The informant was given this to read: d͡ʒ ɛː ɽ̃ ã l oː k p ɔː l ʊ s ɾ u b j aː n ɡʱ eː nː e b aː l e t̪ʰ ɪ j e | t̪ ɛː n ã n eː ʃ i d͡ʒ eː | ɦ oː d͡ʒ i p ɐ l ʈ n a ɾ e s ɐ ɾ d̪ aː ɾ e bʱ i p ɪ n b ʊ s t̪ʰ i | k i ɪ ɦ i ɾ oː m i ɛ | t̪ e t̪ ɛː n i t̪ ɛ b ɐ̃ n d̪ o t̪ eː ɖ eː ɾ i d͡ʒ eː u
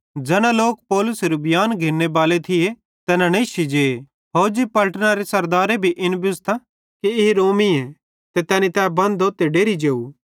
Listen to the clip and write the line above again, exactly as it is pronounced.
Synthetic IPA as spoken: d͡ʒ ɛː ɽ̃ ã l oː k p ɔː l ʊ s ɾ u b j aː n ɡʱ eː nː e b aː l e t̪ʰ ɪ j e | t̪ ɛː n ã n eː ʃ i d͡ʒ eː | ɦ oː d͡ʒ i p ɐ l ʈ n a ɾ e s ɐ ɾ d̪ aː ɾ e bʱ i ʔ ɪ n b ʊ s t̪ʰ a | k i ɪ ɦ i ɾ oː m i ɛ | t̪ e t̪ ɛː n i t̪ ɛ b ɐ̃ n d̪ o t̪ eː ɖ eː ɾ i d͡ʒ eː u